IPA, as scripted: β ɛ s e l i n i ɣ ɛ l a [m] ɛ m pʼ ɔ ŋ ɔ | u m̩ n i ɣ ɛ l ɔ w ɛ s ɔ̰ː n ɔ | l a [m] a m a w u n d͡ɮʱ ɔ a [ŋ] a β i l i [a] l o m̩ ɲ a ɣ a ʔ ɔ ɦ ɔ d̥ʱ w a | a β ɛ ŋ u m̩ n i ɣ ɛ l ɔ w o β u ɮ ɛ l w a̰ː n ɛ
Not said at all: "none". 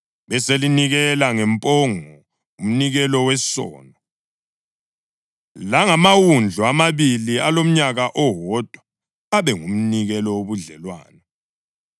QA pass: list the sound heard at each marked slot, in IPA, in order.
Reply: ŋ, ŋ, m, a

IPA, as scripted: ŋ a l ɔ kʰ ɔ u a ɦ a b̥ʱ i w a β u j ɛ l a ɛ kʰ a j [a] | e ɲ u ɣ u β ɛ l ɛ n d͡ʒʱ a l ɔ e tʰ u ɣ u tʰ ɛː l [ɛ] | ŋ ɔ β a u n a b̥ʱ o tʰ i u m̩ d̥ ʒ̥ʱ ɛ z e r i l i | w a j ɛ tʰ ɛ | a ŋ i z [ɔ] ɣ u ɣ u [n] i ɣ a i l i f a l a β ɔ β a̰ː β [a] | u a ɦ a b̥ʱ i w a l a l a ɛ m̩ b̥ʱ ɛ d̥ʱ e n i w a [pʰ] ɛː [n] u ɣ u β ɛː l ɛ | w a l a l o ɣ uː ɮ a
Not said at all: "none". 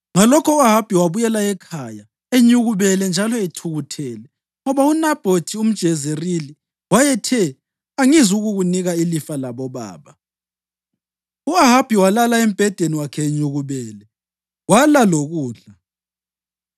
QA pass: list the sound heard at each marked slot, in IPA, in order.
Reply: a, ɛ, u, n, a, kʰ, ɲ

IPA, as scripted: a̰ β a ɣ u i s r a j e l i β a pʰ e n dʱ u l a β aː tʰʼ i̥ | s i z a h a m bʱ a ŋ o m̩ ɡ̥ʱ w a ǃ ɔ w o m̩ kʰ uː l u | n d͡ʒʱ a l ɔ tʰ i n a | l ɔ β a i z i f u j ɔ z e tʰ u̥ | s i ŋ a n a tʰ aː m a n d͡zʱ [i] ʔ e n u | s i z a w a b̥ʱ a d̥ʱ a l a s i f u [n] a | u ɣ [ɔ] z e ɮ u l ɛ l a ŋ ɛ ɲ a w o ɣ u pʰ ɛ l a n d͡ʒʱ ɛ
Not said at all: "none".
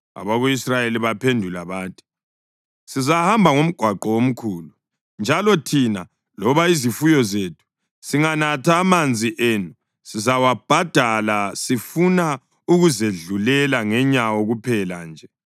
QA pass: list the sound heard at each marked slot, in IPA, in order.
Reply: i, n, u

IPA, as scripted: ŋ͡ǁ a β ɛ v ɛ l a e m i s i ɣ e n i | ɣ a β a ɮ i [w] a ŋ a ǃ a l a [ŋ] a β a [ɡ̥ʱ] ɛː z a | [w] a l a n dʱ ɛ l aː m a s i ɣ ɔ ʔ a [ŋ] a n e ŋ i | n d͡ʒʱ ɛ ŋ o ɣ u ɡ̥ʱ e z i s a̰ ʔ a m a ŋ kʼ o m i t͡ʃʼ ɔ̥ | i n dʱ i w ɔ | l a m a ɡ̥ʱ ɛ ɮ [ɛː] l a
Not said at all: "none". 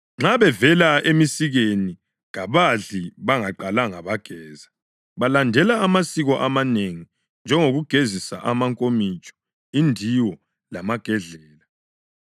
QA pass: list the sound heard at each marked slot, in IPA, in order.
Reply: β, ŋ, ɡ̥ʱ, β, m, ɛː

